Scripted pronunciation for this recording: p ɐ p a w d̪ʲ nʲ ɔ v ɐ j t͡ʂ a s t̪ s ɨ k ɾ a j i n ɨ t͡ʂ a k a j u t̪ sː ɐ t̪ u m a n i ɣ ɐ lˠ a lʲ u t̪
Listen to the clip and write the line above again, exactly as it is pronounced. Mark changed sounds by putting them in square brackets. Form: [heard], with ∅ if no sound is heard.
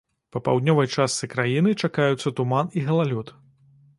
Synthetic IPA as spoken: p ɐ p a w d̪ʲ nʲ ɔ v ɐ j t͡ʂ a s t̪ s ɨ k ɾ a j i n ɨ t͡ʂ a k a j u t̪ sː ɐ t̪ u m a n i ɣ ɐ lˠ a lʲ u t̪